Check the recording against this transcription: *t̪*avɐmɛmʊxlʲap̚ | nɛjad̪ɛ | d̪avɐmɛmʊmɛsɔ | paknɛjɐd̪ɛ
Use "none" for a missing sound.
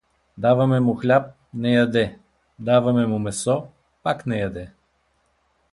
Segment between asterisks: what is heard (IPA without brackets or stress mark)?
d̪